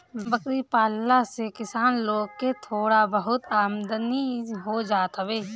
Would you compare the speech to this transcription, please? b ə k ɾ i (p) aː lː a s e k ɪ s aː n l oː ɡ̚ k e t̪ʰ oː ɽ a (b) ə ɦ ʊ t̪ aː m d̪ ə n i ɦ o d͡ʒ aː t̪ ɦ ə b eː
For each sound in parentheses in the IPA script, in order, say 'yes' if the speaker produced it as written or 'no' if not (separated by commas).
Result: yes, yes